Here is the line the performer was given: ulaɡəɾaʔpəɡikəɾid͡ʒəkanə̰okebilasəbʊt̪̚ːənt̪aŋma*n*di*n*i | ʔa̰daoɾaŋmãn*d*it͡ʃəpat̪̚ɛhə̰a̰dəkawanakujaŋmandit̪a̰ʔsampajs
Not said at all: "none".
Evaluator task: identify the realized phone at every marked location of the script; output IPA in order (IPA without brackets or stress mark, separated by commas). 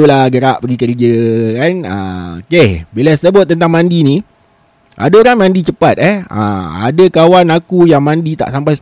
n, n, d